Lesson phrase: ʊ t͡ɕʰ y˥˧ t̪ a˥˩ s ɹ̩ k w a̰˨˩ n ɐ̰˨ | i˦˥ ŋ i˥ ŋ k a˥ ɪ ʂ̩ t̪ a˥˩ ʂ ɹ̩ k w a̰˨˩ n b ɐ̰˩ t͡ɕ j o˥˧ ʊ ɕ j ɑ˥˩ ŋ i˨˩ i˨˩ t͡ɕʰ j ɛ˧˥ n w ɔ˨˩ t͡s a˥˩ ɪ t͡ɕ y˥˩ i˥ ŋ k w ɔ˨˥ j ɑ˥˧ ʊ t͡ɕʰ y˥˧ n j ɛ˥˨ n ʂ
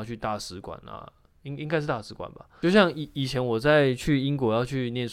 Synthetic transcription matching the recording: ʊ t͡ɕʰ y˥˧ t̪ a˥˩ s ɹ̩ k w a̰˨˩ n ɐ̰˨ | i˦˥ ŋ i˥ ŋ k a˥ ɪ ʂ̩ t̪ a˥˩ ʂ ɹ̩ k w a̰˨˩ n b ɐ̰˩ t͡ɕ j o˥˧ ʊ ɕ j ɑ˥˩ ŋ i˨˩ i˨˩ t͡ɕʰ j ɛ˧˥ n w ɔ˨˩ t͡s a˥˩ ɪ t͡ɕʰ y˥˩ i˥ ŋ k w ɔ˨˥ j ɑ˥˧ ʊ t͡ɕʰ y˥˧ n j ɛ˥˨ n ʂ